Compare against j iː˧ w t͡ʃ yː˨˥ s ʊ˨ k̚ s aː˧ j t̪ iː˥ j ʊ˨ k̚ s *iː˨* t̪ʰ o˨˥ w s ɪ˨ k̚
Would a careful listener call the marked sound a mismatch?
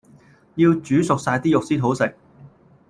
yes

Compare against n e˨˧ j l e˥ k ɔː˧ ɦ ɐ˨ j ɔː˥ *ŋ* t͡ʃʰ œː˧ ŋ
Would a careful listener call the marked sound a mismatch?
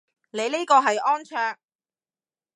yes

